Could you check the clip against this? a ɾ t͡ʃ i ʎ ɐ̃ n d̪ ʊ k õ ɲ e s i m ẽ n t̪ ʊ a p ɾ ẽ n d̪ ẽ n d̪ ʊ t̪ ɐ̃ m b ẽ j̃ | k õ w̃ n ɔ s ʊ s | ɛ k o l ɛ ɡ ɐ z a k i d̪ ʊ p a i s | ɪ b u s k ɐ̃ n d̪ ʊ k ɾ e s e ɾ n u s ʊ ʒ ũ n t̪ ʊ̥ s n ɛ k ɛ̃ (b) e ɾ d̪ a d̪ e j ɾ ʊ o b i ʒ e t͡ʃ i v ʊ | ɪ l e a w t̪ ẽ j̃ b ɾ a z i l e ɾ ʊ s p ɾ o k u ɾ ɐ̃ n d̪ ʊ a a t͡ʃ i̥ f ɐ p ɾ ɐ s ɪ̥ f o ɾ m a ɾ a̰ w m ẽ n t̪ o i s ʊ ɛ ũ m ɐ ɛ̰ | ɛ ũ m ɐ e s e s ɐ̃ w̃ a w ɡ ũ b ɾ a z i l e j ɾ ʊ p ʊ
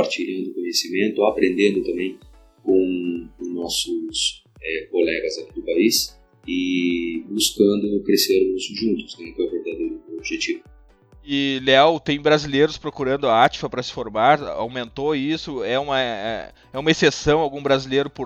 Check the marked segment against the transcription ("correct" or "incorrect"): incorrect